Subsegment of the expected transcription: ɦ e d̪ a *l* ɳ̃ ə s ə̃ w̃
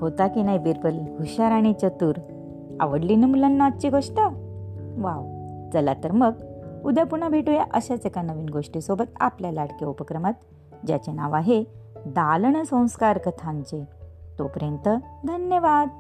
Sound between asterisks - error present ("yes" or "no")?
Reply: no